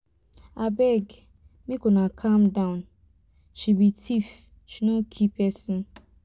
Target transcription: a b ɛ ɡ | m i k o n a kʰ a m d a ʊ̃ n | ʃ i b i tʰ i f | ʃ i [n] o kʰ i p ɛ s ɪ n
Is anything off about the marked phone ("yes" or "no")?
no